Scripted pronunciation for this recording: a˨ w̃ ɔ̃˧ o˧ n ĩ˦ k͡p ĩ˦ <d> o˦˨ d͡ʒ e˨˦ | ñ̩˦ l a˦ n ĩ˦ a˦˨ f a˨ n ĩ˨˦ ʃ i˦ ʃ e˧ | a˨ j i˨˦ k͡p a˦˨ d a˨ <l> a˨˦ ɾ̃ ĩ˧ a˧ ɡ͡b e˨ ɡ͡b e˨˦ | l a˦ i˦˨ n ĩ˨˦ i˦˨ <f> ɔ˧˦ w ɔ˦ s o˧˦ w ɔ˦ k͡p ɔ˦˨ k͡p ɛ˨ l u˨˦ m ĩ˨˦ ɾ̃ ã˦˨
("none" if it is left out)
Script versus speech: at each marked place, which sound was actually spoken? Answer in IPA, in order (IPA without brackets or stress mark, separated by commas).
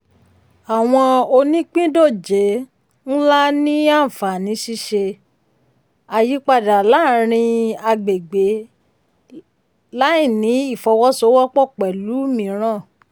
d, l, f